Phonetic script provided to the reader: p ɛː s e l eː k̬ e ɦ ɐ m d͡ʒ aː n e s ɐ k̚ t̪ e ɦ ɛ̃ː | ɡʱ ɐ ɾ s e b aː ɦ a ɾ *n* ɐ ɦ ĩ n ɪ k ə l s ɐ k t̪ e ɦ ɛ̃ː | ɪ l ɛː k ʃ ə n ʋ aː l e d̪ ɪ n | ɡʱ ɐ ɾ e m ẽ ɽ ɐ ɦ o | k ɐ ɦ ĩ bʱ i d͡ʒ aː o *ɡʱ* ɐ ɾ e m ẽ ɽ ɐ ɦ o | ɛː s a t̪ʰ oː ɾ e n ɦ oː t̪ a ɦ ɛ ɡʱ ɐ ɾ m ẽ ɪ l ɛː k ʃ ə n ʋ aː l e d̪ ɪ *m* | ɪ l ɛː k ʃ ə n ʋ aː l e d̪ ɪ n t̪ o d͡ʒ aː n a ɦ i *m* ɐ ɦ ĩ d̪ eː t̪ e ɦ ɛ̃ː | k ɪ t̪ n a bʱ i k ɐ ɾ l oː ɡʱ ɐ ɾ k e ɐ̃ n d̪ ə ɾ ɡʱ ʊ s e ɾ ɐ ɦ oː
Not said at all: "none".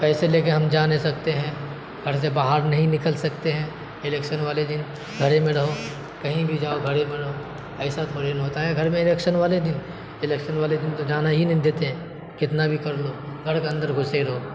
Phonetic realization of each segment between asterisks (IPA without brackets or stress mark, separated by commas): n, ɡʱ, n, n